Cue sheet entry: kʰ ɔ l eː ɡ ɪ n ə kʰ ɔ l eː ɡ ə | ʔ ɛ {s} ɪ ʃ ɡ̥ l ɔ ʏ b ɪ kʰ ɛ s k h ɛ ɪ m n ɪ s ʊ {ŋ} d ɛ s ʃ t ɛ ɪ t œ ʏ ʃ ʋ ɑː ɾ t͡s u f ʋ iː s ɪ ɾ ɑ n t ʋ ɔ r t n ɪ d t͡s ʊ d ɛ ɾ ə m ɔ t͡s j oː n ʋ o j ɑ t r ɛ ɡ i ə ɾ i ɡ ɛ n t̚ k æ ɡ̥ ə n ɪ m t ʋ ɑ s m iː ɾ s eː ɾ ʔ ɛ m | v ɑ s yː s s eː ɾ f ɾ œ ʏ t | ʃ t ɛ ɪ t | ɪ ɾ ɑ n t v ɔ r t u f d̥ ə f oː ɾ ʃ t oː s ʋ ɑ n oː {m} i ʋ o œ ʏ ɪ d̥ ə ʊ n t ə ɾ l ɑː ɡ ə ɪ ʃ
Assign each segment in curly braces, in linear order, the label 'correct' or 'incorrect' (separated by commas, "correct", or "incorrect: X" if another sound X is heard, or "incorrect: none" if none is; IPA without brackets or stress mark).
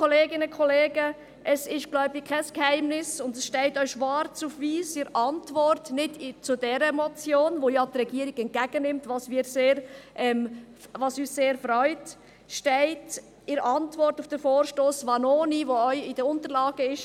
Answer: correct, incorrect: n, incorrect: n